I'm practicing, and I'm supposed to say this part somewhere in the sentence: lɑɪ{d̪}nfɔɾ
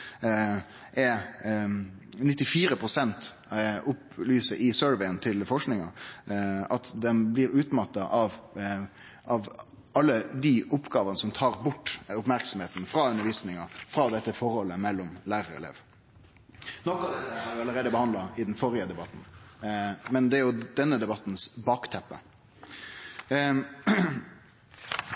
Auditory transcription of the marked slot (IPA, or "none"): d̪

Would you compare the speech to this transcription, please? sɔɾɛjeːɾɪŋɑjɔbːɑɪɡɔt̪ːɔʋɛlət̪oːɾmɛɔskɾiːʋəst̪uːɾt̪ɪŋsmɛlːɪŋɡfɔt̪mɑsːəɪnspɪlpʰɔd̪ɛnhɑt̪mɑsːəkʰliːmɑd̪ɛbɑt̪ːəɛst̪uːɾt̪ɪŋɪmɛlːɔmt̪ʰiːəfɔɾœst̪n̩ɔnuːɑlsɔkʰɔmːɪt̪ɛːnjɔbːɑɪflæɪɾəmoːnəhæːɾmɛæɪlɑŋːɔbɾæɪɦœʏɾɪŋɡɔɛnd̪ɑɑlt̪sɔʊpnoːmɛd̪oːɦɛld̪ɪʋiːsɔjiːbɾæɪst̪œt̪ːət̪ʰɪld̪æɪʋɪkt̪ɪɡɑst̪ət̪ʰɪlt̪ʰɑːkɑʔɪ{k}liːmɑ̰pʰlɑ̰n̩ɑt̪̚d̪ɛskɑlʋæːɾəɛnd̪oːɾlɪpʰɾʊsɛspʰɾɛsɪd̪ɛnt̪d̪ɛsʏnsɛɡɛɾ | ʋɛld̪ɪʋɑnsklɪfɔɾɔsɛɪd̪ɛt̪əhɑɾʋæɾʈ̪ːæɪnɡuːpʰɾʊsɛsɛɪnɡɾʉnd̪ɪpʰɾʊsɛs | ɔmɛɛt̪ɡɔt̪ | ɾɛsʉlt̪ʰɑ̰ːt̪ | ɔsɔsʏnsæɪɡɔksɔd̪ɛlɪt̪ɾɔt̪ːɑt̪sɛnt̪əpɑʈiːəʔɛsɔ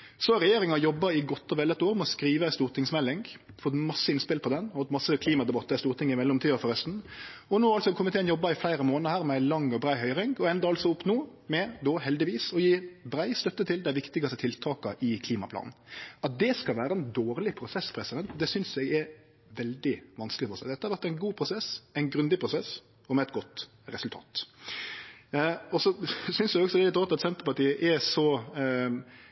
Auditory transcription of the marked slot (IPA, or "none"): kʰ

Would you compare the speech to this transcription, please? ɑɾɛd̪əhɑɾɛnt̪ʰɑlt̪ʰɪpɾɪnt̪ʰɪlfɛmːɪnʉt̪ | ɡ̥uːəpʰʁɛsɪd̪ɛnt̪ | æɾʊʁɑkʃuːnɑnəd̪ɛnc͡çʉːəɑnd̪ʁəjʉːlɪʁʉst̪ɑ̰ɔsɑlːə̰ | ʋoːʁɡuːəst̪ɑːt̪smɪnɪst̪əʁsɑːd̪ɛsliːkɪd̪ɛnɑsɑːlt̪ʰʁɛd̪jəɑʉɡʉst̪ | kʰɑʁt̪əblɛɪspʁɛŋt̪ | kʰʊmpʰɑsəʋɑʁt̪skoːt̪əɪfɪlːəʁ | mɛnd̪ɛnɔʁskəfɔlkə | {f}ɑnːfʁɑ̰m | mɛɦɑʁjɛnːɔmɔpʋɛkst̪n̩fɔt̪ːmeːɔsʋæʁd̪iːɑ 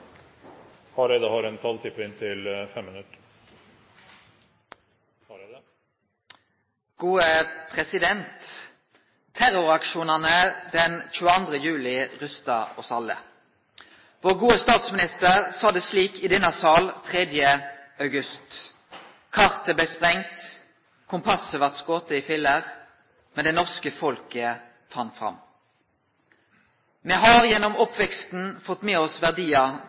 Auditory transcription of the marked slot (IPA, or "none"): f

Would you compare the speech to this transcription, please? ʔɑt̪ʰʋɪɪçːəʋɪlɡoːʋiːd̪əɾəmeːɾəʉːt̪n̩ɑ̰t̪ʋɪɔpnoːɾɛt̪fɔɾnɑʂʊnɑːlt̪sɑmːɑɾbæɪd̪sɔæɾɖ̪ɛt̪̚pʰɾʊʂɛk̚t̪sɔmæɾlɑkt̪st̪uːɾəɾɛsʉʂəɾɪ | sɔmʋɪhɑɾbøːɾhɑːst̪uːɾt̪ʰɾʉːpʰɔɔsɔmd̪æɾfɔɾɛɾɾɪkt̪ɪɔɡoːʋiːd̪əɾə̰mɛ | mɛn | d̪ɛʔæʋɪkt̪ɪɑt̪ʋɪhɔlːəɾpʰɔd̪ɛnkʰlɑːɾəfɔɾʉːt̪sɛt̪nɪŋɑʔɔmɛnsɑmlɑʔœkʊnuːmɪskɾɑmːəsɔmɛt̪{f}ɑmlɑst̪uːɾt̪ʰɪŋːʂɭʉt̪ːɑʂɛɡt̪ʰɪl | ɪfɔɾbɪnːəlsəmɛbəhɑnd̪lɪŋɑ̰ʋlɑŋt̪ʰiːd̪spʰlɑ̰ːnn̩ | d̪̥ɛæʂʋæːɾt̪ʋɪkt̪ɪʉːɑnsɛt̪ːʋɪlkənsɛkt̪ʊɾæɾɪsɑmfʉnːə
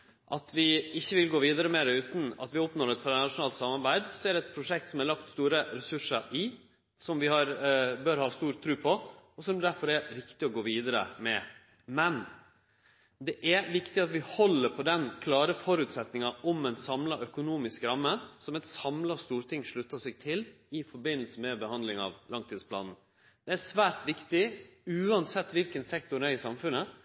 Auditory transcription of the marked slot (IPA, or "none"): s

